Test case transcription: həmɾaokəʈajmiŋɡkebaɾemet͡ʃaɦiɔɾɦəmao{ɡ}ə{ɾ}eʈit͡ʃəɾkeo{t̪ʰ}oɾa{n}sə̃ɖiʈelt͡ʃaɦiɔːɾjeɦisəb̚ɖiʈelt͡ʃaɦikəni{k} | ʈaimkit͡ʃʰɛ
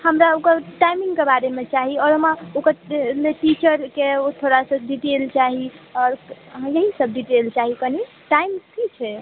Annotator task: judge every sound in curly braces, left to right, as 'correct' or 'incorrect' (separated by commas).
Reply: incorrect, incorrect, correct, incorrect, incorrect